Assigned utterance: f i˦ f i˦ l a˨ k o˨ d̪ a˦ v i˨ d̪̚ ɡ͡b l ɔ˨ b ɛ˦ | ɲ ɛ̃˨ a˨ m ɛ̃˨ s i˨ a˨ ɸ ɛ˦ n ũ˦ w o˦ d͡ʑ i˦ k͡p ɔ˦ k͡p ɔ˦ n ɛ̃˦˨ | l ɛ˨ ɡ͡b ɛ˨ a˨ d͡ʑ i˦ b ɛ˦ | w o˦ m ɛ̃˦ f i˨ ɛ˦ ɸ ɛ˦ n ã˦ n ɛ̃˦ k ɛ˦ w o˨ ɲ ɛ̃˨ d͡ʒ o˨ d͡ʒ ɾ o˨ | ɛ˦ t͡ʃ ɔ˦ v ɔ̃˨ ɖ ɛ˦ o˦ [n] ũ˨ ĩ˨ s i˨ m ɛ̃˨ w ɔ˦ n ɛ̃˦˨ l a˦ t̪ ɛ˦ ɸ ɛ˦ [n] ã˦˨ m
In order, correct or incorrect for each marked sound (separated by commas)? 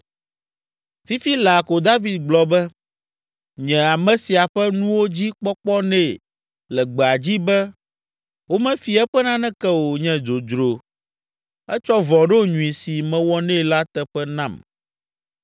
incorrect, correct